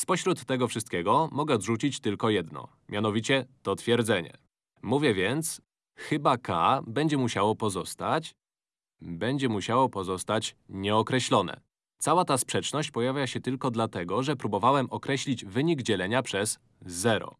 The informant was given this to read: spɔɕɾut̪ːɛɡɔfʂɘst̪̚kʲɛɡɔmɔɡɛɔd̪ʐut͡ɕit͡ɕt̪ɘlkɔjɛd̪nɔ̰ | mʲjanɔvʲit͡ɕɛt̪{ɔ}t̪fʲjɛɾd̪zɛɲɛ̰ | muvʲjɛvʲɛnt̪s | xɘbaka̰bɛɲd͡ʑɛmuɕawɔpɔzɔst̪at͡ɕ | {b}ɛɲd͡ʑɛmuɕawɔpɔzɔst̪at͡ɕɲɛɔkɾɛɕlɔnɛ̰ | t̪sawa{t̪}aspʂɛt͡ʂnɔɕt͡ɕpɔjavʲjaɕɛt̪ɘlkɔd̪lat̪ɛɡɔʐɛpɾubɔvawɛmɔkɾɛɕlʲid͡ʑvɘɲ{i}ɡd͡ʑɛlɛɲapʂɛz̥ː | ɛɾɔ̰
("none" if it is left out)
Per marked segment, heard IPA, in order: ɔ, b, t̪, i

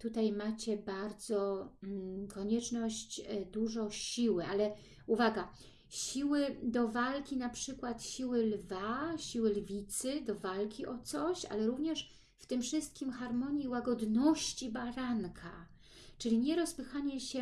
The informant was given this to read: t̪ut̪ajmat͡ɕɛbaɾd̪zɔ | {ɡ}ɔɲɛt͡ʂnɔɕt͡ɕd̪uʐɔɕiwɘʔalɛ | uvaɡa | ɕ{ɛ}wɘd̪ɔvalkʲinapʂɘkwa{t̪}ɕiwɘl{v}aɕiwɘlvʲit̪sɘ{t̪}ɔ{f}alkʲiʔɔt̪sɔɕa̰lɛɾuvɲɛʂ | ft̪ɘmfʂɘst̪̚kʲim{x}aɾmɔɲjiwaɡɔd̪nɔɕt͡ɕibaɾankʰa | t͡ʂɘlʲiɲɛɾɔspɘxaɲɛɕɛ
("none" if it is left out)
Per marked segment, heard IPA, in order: k, i, t̪, v, d̪, v, x

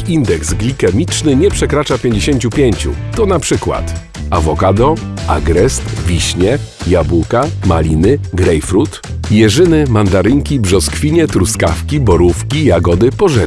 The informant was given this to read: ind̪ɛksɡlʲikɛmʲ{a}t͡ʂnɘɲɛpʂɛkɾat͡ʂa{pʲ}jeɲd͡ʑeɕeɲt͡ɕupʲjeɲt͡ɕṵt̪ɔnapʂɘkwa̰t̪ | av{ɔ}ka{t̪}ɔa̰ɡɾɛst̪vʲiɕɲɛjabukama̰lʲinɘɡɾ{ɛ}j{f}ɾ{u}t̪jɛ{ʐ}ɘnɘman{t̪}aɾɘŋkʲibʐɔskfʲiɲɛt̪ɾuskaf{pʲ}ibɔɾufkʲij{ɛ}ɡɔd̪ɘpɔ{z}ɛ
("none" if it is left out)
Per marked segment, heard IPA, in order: i, pʲ, ɔ, d̪, ɛ, f, u, ʐ, d̪, kʲ, a, ʐ

